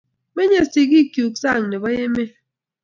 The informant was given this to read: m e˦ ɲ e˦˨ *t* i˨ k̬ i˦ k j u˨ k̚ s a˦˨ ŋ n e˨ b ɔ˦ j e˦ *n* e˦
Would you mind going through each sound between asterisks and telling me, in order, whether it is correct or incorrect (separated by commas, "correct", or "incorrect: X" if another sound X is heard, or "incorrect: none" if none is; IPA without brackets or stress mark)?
incorrect: s, incorrect: m